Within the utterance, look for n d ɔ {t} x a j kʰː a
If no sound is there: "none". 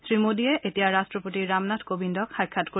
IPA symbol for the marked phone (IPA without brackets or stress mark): k